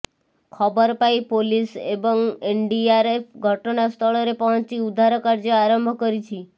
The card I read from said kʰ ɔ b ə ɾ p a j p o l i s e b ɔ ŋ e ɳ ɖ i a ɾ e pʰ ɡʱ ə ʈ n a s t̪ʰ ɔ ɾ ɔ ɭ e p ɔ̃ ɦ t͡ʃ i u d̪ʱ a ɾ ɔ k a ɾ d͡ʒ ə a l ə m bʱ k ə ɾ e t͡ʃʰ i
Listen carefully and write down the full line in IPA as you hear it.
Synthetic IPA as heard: kʰ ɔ b ə ɾ p a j p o l i s e b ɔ ŋ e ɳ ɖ i a ɾ e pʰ ɡʱ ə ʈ n a s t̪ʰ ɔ ɭ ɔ ɾ e p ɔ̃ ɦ t͡ʃ i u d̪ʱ a ɾ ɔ k a ɾ d͡ʒ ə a ɾ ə m bʱ k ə ɾ i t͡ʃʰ i

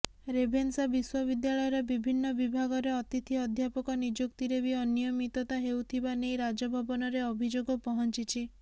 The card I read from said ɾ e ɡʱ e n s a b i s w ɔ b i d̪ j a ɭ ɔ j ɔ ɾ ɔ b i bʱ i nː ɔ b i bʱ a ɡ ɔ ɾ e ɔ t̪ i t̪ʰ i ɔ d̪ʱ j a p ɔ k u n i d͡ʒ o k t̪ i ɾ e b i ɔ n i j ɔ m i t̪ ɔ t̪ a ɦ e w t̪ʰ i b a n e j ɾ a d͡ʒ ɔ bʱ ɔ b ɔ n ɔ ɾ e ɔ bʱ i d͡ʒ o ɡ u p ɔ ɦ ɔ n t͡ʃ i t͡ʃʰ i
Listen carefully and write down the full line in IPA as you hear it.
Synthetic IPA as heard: ɾ e bʱ e n s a b i s w ɔ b i d̪ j a ɭ ɔ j ɔ ɾ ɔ b i bʱ i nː ɔ b i bʱ a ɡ ɔ ɾ e ɔ t̪ i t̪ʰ i ɔ d̪ʱ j a p ɔ k ɔ n i d͡ʒ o k t̪ i ɾ e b i ɔ n i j ɔ m i t̪ ɔ t̪ a ɦ e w t̪ʰ i b a n e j ɾ a d͡ʒ ɔ bʱ ɔ b ɔ n ɔ ɾ e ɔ bʱ i d͡ʒ o ɡ ɔ p ɔ ɦ ɔ n t͡ʃ i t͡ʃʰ i

